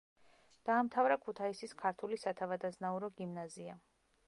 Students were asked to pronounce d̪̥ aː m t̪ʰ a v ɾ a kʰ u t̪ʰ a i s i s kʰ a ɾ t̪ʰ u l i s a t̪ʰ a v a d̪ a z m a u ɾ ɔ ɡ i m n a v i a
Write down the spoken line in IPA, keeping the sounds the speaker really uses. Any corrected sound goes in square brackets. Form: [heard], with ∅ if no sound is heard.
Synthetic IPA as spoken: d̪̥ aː m t̪ʰ a v ɾ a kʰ u t̪ʰ a i s i s kʰ a ɾ t̪ʰ u l i s a t̪ʰ a v a d̪ a z [n] a u ɾ ɔ ɡ i m n a [z] i a